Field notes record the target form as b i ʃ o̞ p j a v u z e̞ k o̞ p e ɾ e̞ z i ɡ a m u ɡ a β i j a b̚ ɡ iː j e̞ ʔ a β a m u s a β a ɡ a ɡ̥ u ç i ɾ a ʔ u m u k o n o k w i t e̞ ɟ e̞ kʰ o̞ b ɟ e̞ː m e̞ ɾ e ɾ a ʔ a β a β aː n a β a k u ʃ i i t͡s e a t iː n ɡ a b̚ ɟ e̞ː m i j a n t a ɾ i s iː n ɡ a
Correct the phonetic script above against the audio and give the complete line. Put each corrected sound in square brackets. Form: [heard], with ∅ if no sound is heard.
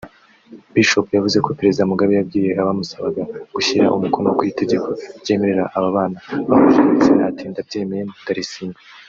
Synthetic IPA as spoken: b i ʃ o̞ p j a v u z e̞ k o̞ p e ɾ e̞ z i [d] a m u ɡ a β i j a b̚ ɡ iː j e̞ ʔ a β a m u s a β a ɡ a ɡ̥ u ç i ɾ a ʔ u m u k o n o k w i t e̞ ɟ e̞ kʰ o̞ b ɟ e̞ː m e̞ ɾ e ɾ a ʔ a β a β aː n a β a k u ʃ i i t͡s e a t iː n [d] a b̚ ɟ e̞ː m [e] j [e] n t a ɾ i s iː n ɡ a